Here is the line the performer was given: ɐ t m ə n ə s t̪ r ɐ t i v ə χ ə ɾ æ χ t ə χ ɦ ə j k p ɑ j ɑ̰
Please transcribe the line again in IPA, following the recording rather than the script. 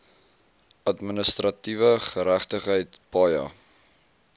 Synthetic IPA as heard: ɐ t m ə n ə s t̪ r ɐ t i v ə χ ə ɾ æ χ t ə χ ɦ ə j t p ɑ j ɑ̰